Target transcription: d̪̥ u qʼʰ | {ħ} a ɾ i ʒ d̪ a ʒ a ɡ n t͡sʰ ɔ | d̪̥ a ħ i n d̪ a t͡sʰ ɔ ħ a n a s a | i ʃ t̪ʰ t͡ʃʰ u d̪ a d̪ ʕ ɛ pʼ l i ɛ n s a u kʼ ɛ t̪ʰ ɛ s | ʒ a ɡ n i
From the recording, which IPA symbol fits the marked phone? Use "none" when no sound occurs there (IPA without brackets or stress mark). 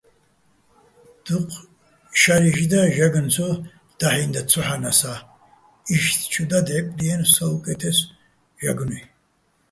ʃ